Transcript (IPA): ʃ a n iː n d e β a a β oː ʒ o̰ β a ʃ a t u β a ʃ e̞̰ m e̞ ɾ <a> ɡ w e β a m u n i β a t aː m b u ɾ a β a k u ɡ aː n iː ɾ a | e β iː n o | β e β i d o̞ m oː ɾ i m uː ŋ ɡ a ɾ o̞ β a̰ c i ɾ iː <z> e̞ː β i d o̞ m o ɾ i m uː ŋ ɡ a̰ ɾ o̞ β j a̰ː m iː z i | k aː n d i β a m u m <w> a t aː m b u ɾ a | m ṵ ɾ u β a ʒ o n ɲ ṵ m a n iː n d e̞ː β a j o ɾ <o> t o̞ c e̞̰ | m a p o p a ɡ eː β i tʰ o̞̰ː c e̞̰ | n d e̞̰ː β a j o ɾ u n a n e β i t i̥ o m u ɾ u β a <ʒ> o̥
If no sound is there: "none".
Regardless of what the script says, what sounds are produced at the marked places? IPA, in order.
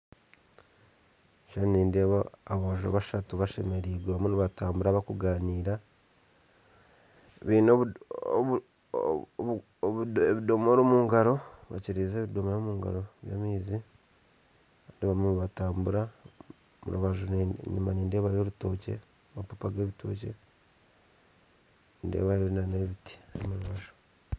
i, z, β, u, ʒ

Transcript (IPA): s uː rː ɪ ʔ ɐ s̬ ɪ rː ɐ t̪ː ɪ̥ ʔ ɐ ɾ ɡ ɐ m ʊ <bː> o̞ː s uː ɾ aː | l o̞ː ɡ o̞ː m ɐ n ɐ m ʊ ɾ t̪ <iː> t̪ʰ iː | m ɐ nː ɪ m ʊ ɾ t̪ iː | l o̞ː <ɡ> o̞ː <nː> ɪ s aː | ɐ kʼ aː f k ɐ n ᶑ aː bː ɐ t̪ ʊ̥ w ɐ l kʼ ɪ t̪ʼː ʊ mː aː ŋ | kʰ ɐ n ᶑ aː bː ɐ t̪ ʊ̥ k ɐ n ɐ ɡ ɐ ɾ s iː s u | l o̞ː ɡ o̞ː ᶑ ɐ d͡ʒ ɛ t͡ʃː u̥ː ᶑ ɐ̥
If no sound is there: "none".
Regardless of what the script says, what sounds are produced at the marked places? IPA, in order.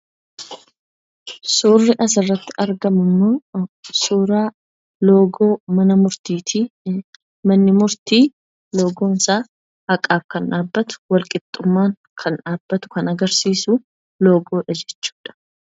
mː, iː, ɡ, n

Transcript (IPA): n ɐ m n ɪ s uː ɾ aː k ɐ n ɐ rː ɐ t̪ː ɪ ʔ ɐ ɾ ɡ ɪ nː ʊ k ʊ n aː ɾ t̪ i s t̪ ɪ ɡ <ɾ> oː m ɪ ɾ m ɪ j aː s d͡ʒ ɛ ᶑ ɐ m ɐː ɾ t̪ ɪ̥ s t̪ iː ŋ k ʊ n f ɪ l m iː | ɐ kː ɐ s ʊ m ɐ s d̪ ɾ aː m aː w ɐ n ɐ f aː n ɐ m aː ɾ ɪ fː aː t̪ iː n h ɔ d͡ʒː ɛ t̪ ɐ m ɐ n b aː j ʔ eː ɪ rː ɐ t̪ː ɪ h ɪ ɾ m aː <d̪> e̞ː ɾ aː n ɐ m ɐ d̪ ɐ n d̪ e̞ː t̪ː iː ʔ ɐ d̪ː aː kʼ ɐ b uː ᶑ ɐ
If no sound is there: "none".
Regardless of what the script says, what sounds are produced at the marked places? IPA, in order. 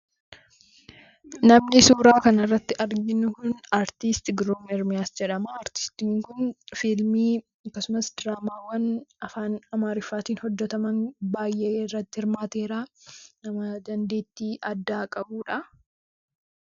ɾ, t̪

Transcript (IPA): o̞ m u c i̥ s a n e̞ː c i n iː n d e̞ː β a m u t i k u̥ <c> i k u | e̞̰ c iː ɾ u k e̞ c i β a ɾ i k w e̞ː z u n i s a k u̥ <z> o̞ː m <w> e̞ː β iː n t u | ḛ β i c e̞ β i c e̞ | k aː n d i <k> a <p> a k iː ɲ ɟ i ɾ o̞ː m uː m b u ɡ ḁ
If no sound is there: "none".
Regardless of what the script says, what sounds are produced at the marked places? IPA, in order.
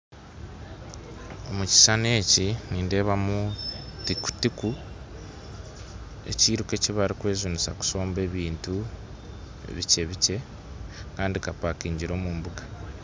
t, s, b, k, p

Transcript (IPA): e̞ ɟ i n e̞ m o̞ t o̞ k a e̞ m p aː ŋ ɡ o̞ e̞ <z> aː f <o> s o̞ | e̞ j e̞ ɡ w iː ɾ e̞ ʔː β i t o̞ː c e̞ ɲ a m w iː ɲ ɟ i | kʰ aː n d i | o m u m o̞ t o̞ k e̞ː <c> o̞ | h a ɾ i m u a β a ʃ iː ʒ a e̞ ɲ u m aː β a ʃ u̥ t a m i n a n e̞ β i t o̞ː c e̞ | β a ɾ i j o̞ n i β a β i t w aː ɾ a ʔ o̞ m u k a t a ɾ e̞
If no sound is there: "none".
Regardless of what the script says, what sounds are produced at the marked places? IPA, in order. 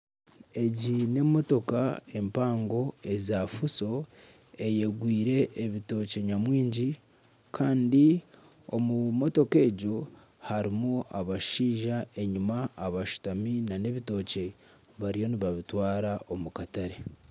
z, u, ɟ

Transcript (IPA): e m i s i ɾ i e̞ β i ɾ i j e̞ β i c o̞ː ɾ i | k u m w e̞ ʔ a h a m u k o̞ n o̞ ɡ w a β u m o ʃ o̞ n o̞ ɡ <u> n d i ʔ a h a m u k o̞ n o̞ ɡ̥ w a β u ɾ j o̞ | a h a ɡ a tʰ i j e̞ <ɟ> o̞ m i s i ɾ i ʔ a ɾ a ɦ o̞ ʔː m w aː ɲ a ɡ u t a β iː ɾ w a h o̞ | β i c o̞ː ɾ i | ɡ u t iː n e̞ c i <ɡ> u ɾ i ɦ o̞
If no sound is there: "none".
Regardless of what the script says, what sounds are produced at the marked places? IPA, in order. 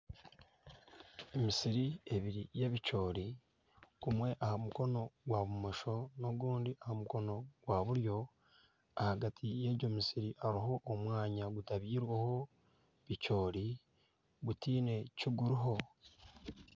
uː, ɟ, ɡ

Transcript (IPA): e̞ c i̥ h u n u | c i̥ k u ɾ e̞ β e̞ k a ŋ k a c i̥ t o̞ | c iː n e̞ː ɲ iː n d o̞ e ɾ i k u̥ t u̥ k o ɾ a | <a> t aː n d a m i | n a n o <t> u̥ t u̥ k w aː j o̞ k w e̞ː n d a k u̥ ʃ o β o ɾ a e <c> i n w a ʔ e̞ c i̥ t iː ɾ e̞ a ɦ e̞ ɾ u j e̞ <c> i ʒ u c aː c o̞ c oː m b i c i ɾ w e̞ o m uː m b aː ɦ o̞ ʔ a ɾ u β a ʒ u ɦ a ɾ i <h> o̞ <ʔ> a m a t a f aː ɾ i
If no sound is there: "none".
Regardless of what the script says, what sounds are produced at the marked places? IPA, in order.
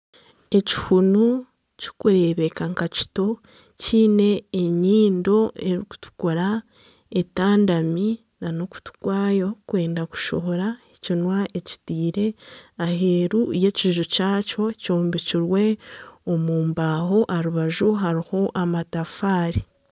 e, k, c, c, h, ʔ

